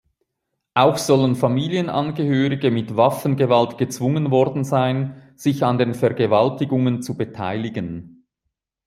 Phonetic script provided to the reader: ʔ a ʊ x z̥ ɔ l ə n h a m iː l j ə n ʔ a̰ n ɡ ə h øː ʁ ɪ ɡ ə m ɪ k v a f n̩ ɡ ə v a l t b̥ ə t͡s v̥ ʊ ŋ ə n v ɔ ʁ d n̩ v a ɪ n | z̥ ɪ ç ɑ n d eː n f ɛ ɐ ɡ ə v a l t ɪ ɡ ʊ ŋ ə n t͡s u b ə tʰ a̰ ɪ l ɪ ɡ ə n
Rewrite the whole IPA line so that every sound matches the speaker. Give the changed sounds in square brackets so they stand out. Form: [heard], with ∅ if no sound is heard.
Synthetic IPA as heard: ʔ a ʊ x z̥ ɔ l ə n [f] a m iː l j ə n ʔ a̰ n ɡ ə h øː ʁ ɪ ɡ ə m ɪ [t] v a f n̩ ɡ ə v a l t [ɡ̥] ə t͡s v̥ ʊ ŋ ə n v ɔ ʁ d n̩ [z] a ɪ n | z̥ ɪ ç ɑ n d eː n f ɛ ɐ ɡ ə v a l t ɪ ɡ ʊ ŋ ə n t͡s u b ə tʰ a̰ ɪ l ɪ ɡ ə n